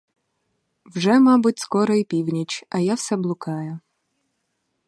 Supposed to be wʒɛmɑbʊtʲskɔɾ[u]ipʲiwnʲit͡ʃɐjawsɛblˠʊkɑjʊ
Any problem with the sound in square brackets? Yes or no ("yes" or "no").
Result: yes